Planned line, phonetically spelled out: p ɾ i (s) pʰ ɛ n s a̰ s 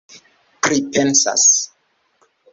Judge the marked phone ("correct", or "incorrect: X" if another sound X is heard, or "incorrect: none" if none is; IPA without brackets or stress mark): incorrect: none